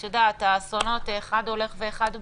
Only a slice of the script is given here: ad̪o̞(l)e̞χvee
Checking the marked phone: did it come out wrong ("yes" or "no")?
no